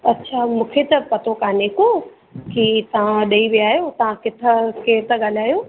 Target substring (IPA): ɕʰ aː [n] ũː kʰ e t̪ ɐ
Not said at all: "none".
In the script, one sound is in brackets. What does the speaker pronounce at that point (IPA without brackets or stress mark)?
m